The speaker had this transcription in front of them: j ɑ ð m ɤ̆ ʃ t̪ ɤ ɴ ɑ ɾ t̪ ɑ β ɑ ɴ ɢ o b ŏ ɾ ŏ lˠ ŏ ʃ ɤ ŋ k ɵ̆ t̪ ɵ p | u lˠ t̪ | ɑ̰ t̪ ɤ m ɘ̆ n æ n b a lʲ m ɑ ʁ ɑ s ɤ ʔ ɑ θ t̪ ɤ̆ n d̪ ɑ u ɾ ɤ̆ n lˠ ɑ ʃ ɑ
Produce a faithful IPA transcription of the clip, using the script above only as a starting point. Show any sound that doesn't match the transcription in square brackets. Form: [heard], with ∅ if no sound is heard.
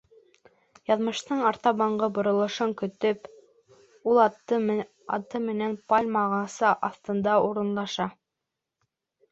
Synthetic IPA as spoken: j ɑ ð m ɤ̆ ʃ t̪ ɤ ɴ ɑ ɾ t̪ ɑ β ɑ ɴ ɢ [ɤ] b ŏ ɾ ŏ lˠ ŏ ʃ ɤ ŋ k ɵ̆ t̪ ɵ p | u lˠ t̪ | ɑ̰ t̪ ɤ m ɘ̆ n æ n [p] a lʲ m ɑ ʁ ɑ s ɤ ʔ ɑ θ t̪ ɤ̆ n d̪ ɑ u ɾ ɤ̆ n lˠ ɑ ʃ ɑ